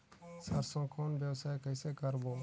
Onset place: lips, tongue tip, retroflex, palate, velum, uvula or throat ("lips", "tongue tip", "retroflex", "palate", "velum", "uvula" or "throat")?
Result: tongue tip